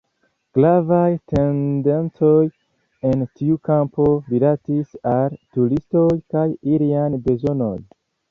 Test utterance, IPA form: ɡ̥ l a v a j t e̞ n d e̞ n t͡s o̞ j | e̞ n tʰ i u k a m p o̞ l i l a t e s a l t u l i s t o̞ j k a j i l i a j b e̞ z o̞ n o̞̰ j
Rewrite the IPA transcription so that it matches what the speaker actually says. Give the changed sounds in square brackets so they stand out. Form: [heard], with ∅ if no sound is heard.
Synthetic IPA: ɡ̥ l a v a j t e̞ n d e̞ n t͡s o̞ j | e̞ n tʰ i u k a m p o̞ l i l a t [i] s a l t u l i s t o̞ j k a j i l i a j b e̞ z o̞ n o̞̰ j